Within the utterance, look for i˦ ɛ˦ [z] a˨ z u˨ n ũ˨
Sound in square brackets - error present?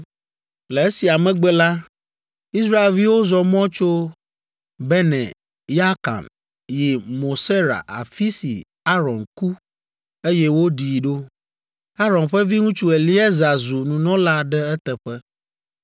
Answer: no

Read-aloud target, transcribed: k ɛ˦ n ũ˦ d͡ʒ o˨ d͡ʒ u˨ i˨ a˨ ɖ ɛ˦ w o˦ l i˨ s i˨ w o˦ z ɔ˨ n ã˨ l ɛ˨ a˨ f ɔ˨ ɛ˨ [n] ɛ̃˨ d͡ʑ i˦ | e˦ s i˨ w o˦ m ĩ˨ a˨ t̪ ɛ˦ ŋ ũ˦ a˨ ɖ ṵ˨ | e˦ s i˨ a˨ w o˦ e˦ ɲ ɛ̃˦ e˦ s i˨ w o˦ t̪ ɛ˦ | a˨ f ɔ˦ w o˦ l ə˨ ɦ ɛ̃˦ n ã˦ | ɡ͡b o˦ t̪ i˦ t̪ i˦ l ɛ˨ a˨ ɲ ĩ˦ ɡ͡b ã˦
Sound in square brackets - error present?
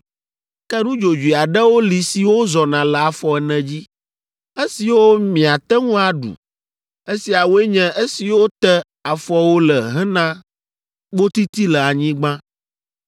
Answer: no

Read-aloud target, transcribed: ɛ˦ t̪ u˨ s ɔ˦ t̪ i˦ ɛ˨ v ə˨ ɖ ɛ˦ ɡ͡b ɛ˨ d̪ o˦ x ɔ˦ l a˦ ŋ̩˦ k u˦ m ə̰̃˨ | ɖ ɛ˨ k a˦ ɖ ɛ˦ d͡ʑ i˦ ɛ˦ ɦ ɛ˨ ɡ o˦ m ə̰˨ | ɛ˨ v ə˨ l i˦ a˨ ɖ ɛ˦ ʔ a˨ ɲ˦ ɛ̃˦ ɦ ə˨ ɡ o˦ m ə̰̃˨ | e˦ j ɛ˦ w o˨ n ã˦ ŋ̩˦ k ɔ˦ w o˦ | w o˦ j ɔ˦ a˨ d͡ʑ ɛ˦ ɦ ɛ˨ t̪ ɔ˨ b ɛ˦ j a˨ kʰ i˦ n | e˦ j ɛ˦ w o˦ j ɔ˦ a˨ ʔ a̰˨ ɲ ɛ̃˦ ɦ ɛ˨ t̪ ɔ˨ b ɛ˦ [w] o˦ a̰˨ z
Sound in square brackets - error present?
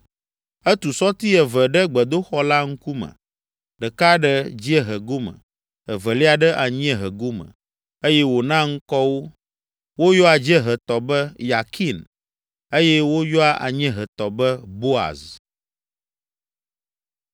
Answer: yes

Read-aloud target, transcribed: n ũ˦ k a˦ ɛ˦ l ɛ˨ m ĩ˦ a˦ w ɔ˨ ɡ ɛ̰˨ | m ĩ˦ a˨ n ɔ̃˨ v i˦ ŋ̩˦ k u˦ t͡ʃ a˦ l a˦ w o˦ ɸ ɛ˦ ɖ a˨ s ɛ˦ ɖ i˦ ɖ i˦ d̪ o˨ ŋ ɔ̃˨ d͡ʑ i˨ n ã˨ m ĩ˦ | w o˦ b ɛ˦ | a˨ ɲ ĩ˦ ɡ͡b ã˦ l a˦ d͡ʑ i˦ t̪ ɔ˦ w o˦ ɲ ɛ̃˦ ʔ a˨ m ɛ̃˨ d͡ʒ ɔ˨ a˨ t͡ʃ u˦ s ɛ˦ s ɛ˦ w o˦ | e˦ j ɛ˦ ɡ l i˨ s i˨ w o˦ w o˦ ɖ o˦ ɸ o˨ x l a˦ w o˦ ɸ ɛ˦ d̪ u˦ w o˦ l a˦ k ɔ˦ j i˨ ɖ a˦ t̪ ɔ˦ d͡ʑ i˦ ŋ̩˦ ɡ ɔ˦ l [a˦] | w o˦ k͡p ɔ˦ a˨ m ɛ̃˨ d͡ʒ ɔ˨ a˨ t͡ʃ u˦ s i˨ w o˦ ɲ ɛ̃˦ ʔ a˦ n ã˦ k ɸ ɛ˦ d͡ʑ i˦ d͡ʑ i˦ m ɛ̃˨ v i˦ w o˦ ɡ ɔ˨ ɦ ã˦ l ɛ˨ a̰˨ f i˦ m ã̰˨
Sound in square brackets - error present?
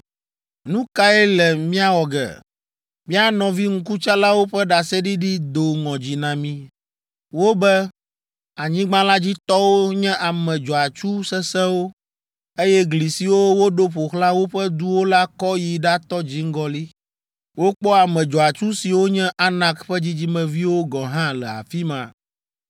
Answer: yes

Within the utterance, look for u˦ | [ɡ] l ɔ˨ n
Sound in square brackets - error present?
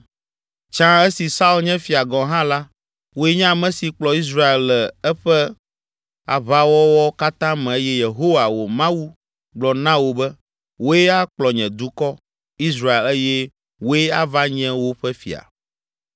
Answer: yes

